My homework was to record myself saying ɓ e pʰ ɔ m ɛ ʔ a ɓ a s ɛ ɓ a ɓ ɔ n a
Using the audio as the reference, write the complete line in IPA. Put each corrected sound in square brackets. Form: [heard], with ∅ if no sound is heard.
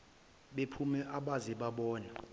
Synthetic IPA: ɓ e pʰ [u] m ɛ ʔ a ɓ a [z] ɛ ɓ a ɓ [ɔː] n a